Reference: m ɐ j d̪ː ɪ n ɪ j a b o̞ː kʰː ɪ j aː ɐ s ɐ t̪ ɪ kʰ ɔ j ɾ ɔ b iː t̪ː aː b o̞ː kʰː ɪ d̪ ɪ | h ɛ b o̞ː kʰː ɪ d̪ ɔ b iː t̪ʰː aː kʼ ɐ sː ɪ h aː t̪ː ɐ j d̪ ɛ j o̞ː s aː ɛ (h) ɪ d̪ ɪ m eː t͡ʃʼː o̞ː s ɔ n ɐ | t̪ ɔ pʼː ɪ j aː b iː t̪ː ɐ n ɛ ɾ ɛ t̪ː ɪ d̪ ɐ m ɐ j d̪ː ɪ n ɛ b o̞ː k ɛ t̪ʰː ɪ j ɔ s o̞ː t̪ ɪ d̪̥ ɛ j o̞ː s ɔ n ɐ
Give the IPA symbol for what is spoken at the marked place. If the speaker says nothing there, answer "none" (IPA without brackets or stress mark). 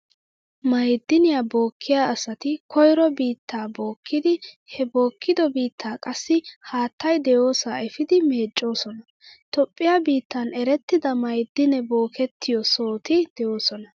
f